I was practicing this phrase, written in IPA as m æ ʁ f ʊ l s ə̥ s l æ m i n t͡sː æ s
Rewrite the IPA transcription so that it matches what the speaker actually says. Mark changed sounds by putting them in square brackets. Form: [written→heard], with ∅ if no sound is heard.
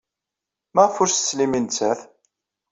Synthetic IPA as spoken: m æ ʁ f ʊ [l→ɾ] s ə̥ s l [æ→i] m i n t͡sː æ [s→θ]